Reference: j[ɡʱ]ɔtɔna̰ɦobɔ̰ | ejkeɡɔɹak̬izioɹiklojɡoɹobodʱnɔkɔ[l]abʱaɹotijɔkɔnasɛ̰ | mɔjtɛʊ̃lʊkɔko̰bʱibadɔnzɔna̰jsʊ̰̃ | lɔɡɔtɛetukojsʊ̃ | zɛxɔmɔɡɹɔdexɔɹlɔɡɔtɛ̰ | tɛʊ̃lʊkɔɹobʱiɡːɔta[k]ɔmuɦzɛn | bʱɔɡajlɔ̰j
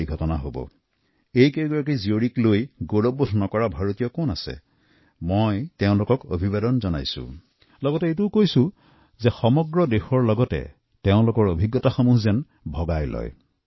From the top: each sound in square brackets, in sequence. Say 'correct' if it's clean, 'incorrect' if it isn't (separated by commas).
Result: correct, incorrect, incorrect